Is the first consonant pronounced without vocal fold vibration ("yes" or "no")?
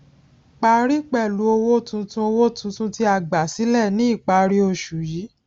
yes